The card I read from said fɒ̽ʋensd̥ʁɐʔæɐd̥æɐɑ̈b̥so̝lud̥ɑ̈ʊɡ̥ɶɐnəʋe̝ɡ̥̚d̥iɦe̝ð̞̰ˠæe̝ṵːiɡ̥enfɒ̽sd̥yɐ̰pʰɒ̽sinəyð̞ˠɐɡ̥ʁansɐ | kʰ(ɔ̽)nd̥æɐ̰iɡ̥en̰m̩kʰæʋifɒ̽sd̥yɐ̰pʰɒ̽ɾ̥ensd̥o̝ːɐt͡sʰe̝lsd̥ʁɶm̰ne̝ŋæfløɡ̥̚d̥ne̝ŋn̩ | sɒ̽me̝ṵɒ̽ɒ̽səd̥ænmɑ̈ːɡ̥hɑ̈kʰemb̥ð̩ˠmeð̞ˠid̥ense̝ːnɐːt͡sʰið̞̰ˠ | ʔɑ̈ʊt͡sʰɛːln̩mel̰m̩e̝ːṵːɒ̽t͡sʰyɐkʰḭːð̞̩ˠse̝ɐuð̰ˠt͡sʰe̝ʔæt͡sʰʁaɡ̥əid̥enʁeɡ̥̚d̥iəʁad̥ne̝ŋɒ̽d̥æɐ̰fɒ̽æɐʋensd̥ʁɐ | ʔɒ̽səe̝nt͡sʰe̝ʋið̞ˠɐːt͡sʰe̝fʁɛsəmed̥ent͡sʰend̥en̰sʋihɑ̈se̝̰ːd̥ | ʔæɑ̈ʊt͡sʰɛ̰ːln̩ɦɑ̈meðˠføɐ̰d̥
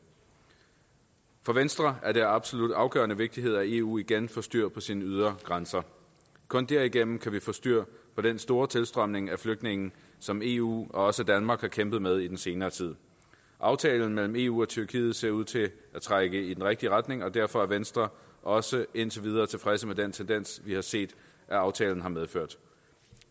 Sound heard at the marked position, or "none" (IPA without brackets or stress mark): ɔ̽